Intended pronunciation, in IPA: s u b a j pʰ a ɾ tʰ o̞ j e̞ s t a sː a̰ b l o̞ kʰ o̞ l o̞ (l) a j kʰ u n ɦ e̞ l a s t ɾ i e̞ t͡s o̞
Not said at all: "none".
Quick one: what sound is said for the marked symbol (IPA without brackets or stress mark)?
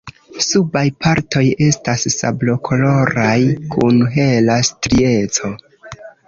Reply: ɾ